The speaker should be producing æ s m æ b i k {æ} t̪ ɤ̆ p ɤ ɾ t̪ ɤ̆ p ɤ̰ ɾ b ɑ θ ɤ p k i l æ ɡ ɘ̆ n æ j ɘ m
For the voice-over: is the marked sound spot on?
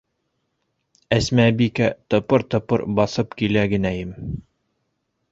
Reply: yes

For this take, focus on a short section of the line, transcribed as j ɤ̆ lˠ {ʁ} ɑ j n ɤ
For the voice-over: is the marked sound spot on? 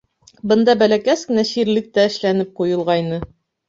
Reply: yes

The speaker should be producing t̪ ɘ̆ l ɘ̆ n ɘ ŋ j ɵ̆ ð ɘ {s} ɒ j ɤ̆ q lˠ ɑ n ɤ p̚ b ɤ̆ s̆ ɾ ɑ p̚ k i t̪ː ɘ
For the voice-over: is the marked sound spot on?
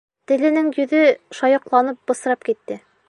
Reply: no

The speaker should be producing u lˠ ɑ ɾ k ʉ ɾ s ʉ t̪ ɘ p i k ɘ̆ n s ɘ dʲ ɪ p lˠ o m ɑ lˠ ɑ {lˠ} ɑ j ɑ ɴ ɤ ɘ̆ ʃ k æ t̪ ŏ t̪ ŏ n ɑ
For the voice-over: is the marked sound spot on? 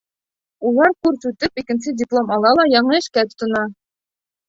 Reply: yes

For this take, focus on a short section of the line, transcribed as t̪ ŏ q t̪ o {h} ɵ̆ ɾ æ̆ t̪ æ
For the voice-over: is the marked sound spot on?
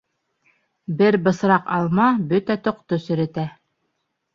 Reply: no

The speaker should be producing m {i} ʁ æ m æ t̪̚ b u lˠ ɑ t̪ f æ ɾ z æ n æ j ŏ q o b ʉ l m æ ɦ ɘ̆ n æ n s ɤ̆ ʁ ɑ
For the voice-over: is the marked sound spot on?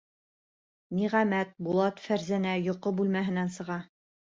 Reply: yes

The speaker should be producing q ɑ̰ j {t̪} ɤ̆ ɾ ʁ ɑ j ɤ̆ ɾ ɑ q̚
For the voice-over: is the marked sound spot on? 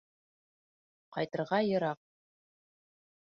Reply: yes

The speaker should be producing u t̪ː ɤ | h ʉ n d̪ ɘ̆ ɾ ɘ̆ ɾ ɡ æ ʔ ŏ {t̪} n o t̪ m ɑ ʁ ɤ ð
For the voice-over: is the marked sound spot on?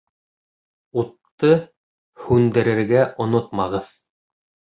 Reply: no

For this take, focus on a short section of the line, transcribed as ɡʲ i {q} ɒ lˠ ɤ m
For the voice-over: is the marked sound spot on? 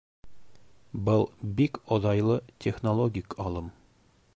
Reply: no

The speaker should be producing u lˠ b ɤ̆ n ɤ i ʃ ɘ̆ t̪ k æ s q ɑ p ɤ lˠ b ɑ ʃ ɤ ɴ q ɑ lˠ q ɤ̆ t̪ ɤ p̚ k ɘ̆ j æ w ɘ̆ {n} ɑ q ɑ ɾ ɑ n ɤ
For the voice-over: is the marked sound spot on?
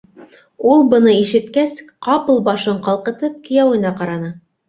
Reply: yes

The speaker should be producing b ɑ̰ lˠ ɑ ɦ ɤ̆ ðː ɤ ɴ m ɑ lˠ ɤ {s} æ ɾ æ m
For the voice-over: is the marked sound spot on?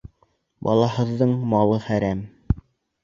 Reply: no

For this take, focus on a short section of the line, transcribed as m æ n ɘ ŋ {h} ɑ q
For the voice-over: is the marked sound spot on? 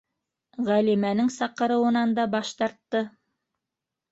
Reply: no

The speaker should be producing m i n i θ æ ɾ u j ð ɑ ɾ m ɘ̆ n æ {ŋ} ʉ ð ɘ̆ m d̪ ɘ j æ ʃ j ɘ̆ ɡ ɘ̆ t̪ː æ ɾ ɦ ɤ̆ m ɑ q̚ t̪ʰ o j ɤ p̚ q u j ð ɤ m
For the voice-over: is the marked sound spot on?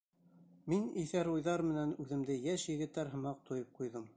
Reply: no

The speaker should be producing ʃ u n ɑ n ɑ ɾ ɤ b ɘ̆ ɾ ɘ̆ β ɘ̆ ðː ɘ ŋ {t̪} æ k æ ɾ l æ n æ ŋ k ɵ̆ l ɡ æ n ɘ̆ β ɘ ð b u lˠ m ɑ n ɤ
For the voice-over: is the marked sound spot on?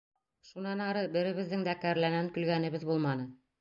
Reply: no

